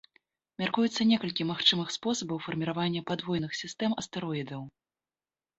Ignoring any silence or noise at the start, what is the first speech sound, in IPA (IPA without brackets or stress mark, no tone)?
mʲ